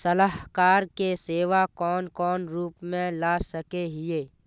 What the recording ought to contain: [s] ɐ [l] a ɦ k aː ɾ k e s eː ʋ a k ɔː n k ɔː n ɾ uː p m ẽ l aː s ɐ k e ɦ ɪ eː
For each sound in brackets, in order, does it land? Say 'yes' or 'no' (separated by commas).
yes, yes